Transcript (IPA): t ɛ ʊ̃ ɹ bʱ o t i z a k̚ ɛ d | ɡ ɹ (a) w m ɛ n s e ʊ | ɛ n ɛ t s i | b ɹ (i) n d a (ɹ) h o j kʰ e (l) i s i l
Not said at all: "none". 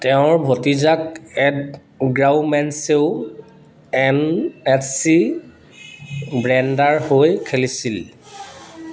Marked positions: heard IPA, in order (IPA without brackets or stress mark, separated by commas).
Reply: a, ɛ, ɹ, l